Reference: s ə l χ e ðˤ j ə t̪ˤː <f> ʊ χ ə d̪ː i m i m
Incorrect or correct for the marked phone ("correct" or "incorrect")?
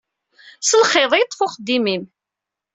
correct